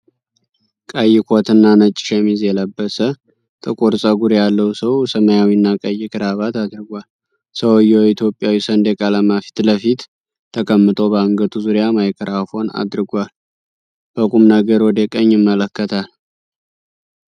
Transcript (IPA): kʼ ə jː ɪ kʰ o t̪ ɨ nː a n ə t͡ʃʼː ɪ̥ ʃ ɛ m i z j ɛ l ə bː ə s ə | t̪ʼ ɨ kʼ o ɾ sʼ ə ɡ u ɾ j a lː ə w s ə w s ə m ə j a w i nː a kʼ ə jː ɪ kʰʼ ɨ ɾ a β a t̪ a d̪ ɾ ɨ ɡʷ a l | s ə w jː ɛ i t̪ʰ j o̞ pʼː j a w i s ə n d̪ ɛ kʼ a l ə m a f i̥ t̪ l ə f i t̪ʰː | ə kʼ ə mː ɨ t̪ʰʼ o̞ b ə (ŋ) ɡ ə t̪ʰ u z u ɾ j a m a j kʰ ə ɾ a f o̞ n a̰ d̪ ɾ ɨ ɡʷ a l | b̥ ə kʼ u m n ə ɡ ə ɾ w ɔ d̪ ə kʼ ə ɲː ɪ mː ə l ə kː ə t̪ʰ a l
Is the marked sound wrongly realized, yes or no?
no